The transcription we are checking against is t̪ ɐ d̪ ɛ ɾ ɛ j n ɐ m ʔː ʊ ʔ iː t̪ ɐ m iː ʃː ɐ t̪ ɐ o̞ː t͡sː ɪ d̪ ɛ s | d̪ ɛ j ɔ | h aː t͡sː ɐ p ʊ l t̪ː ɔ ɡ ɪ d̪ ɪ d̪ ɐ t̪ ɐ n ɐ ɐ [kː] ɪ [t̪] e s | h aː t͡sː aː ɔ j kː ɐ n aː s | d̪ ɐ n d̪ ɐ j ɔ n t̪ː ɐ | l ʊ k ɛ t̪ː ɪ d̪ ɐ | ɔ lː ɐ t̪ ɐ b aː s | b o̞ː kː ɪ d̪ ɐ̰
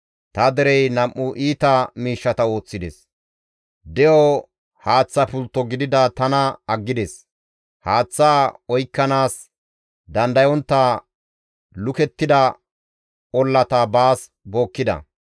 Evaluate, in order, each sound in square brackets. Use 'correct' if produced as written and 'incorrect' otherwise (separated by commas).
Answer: incorrect, incorrect